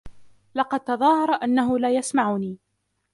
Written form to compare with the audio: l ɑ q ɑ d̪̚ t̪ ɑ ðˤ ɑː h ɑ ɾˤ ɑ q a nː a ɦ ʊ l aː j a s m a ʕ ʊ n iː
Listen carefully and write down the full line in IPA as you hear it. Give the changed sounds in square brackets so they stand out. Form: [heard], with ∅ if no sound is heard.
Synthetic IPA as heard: l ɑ q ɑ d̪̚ t̪ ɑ ðˤ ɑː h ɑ ɾˤ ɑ [ʔ] a nː a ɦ ʊ l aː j a s m a ʕ ʊ n iː